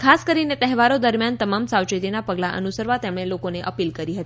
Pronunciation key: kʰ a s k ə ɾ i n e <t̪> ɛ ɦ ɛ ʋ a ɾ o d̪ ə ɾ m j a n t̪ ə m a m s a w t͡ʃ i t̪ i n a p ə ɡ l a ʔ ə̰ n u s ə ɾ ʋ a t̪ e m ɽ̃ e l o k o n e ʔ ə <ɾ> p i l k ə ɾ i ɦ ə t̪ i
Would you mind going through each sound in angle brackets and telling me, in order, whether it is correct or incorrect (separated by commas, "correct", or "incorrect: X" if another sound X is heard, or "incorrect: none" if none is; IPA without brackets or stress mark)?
correct, incorrect: none